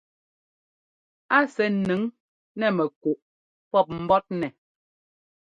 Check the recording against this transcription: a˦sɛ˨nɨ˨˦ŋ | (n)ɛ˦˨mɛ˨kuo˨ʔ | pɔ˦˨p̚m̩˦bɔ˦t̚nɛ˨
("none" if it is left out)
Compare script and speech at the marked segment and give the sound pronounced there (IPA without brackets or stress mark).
n